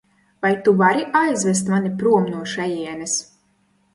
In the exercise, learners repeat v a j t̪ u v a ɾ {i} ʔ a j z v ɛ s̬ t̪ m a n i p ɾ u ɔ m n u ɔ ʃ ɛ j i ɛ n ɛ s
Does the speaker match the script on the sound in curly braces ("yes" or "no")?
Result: yes